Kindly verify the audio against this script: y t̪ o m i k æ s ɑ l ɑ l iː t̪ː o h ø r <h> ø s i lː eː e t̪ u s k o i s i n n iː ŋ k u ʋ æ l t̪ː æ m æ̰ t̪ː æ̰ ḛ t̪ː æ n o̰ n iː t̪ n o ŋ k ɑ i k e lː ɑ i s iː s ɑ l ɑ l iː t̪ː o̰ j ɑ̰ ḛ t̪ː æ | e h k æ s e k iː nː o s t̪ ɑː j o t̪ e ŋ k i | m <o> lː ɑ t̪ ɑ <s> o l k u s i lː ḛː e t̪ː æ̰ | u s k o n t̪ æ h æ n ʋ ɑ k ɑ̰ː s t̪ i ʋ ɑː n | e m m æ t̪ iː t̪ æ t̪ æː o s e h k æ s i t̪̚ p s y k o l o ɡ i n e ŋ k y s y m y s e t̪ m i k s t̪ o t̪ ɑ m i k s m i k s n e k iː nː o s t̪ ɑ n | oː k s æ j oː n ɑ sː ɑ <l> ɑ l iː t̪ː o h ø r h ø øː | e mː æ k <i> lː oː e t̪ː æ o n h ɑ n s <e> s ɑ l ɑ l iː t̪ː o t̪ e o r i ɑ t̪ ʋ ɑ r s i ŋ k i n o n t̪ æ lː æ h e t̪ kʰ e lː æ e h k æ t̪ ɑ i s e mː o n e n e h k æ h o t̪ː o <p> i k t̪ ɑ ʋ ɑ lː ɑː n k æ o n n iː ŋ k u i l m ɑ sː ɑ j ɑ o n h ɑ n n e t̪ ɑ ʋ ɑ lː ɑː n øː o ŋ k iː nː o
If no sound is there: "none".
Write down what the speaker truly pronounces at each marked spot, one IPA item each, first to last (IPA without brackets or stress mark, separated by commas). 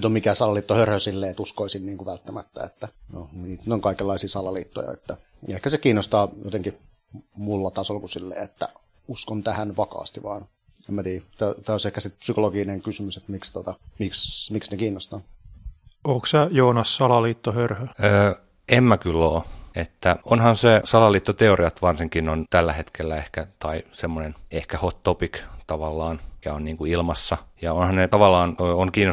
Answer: h, u, s, l, y, e, p